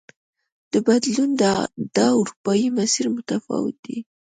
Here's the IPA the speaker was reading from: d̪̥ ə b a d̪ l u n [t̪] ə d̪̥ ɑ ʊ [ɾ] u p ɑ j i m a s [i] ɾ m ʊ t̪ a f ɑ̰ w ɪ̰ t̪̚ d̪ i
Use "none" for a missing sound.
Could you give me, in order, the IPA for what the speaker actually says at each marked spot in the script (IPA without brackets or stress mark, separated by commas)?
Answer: d̪, ɾ, i